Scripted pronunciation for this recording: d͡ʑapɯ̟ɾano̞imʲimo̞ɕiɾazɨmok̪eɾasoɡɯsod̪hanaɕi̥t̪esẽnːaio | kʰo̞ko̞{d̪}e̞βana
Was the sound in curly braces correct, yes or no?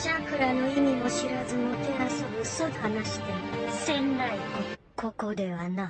yes